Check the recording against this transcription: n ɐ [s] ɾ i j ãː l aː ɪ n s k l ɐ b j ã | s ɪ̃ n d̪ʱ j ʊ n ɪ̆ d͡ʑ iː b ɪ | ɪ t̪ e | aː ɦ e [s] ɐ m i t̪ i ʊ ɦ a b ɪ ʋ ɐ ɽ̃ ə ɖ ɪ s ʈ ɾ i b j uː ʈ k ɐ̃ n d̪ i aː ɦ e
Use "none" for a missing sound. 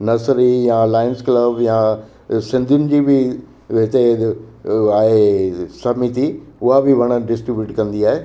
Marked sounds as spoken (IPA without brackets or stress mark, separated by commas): s, s